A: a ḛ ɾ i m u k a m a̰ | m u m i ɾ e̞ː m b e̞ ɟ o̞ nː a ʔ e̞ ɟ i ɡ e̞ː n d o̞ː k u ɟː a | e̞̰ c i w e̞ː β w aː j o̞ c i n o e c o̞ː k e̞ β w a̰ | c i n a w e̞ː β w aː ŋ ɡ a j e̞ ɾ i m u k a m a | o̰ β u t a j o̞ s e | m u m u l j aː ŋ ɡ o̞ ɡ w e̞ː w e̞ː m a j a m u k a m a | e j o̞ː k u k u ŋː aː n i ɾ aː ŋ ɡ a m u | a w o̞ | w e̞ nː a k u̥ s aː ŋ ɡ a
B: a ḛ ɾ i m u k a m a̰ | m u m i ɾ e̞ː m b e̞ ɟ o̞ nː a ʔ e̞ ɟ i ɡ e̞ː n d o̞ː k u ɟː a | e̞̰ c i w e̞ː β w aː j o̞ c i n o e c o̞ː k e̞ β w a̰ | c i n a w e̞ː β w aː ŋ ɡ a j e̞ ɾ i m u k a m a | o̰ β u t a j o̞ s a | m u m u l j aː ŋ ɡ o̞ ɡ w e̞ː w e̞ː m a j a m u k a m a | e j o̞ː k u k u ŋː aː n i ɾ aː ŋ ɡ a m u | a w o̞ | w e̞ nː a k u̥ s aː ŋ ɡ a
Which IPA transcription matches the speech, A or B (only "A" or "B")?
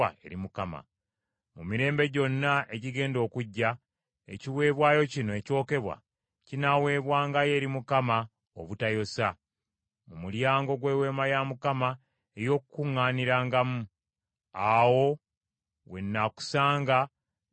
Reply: B